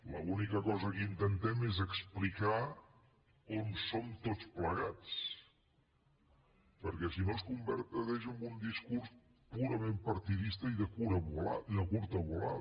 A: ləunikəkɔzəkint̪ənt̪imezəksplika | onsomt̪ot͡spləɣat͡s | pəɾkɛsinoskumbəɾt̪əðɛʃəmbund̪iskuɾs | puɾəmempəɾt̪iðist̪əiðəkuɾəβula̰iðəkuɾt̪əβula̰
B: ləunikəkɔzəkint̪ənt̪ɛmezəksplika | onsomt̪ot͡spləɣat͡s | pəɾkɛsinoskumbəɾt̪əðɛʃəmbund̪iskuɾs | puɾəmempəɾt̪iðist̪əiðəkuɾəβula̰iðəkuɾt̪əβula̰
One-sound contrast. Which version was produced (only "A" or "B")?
B